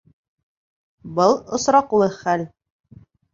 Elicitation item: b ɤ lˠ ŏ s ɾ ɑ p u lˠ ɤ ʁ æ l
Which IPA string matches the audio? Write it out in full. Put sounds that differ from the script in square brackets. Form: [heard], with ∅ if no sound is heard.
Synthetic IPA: b ɤ lˠ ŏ s ɾ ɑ [q] u lˠ ɤ [χ] æ l

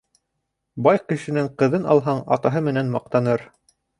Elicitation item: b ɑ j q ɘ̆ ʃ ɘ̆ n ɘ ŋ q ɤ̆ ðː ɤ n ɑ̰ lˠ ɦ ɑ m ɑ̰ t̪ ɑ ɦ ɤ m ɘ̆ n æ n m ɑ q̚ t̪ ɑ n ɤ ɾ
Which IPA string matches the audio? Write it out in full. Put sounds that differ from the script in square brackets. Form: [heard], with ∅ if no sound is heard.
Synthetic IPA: b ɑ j q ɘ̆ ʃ ɘ̆ n ɘ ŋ q ɤ̆ [ð] ɤ n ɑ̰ lˠ ɦ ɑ [ɴ] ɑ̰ t̪ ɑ ɦ ɤ m ɘ̆ n æ n m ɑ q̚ t̪ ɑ n ɤ ɾ

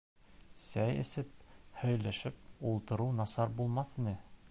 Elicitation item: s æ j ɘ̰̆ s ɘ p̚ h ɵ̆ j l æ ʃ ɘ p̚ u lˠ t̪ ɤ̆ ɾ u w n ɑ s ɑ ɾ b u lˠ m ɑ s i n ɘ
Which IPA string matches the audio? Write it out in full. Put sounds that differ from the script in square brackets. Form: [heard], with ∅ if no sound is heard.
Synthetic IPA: s æ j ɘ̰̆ s ɘ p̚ h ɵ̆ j l æ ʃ ɘ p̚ u lˠ t̪ ɤ̆ ɾ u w n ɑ s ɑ ɾ b u lˠ m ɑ [θ] i n ɘ

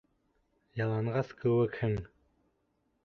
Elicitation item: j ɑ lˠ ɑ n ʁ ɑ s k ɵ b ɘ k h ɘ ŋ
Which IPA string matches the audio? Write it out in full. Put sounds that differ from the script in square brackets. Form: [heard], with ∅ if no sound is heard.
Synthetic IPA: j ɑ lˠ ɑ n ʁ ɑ s k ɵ [w] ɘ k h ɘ ŋ

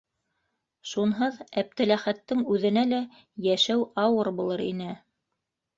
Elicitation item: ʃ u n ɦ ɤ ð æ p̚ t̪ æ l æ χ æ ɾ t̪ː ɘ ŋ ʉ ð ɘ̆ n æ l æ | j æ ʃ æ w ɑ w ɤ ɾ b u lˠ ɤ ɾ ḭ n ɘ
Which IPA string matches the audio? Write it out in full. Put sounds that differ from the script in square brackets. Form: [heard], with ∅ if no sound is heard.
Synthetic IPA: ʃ u n ɦ ɤ ð æ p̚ t̪ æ l æ χ æ [∅] t̪ː ɘ ŋ ʉ ð ɘ̆ n æ l æ | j æ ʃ æ w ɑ w ɤ ɾ b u lˠ ɤ ɾ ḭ n ɘ

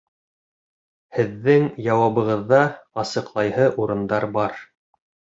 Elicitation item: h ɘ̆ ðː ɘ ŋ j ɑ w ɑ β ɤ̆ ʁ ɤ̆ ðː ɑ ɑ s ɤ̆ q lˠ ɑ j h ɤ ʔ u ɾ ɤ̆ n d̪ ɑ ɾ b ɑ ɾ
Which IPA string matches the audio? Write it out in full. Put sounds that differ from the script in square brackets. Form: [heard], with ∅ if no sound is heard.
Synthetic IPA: h ɘ̆ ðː ɘ ŋ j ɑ w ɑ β ɤ̆ ʁ ɤ̆ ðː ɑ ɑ s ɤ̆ q lˠ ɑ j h ɤ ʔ u ɾ ɤ̆ n d̪ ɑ ɾ b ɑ ɾ

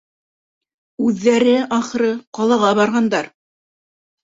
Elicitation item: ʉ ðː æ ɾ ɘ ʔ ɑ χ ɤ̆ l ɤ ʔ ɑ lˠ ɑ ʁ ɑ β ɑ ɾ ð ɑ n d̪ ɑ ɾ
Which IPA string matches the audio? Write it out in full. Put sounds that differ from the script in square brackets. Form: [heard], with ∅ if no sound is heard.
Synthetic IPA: ʉ ðː æ ɾ ɘ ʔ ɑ χ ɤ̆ [ɾ] ɤ [q] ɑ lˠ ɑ ʁ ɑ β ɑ ɾ [ʁ] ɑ n d̪ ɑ ɾ

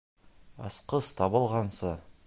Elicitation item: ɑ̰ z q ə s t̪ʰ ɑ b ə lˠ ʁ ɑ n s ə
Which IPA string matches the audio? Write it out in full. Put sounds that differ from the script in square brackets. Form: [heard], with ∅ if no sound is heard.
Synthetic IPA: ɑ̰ [s] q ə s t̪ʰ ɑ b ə lˠ ʁ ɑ n s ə

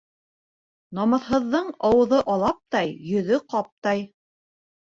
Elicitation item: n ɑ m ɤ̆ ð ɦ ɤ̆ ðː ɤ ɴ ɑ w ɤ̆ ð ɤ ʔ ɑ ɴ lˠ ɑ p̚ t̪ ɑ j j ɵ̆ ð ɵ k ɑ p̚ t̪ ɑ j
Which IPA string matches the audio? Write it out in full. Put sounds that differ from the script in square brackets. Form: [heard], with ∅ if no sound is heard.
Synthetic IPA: n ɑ m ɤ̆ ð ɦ ɤ̆ ðː ɤ ɴ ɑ w ɤ̆ ð ɤ ʔ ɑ [∅] lˠ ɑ p̚ t̪ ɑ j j ɵ̆ ð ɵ [q] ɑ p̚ t̪ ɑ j

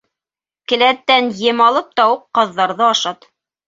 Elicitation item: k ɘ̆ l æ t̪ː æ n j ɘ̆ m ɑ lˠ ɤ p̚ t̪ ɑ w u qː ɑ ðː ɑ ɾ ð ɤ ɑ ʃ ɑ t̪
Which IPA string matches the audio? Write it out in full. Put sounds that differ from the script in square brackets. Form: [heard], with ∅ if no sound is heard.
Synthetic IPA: k ɘ̆ l æ t̪ː æ n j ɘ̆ m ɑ lˠ ɤ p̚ t̪ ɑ w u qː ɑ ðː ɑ ɾ ð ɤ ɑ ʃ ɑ t̪

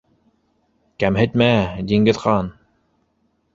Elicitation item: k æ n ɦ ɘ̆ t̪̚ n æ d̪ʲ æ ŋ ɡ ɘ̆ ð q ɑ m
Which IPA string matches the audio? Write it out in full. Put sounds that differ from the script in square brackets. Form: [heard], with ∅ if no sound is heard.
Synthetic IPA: k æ [m] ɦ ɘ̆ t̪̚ [m] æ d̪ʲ [i] ŋ ɡ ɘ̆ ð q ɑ [n]

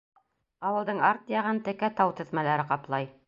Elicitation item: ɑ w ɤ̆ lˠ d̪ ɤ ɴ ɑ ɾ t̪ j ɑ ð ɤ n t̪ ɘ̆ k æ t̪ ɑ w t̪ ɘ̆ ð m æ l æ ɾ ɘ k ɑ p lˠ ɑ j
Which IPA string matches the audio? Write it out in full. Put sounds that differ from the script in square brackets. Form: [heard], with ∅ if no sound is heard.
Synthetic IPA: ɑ w ɤ̆ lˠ d̪ ɤ ɴ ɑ ɾ t̪ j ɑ [ʁ] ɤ n t̪ ɘ̆ k æ t̪ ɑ w t̪ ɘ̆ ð m æ l æ ɾ ɘ [q] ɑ p lˠ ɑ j

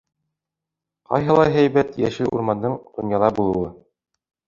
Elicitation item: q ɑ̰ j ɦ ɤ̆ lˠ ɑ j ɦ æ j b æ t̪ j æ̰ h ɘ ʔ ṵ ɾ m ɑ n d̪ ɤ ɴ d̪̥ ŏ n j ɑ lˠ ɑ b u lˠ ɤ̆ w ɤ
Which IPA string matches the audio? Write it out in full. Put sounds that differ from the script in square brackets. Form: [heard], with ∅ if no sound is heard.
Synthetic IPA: q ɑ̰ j ɦ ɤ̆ lˠ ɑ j ɦ æ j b æ t̪ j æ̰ [ʃ] ɘ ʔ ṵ ɾ m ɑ n d̪ ɤ ɴ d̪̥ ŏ n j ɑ lˠ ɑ b u lˠ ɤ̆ w ɤ

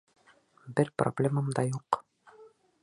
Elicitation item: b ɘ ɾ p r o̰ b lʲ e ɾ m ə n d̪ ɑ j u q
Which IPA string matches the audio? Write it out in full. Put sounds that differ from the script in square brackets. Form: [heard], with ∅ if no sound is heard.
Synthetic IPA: b ɘ ɾ p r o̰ b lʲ e [∅] m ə [m] d̪ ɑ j u q

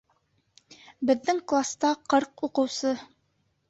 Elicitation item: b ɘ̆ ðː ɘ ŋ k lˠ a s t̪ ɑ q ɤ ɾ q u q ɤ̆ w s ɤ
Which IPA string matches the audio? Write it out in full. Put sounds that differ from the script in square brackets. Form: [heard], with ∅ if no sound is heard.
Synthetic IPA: b ɘ̆ ðː ɘ ŋ k lˠ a s t̪ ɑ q ɤ ɾ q u q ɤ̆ w s ɤ

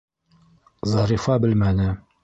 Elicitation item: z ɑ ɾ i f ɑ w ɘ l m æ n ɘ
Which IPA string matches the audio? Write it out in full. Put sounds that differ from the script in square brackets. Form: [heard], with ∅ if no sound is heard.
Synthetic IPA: z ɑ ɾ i f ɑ [b] ɘ l m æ n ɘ

